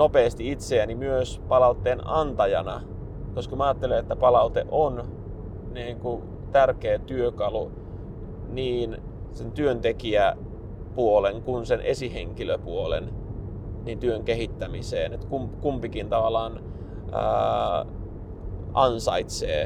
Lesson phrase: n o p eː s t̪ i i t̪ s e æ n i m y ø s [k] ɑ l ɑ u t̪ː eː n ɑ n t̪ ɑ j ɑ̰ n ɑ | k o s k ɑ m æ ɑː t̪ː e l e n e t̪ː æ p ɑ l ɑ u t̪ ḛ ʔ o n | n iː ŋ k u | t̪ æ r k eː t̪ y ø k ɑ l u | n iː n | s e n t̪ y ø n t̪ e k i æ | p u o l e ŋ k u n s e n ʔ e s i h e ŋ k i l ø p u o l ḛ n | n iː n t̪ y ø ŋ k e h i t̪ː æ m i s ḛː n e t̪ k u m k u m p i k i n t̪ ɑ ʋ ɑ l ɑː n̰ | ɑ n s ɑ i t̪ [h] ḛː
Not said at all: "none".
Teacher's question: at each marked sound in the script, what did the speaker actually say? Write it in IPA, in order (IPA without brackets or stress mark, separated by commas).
p, s